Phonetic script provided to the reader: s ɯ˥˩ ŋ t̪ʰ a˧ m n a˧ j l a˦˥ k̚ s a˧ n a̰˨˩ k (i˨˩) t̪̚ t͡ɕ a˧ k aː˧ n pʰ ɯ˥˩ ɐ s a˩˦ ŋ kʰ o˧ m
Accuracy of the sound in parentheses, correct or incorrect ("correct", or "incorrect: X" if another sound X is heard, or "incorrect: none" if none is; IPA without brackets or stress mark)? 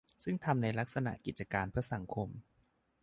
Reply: correct